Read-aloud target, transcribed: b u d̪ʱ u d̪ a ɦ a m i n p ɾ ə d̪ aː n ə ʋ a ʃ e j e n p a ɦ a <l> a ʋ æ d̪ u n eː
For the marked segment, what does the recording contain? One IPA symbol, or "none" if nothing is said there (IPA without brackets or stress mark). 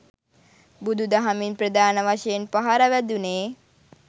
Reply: ɾ